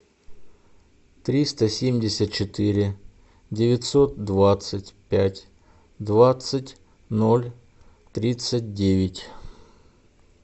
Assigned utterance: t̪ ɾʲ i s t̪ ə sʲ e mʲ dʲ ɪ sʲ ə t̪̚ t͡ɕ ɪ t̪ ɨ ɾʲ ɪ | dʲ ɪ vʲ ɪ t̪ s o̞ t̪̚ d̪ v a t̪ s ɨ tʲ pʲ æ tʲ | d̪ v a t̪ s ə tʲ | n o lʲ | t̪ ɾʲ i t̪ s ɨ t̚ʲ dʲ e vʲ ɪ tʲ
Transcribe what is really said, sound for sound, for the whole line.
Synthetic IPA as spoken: t̪ ɾʲ i s t̪ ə sʲ e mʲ dʲ ɪ sʲ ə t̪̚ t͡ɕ ɪ t̪ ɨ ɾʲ ɪ | dʲ ɪ vʲ ɪ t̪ s o̞ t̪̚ d̪ v a t̪ s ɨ tʲ pʲ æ tʲ | d̪ v a t̪ s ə tʲ | n o lʲ | t̪ ɾʲ i t̪ s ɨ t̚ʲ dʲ e vʲ ɪ tʲ